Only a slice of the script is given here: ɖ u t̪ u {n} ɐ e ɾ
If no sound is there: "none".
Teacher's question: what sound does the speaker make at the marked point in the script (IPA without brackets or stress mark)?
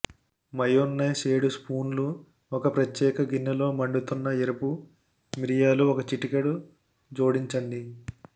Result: nː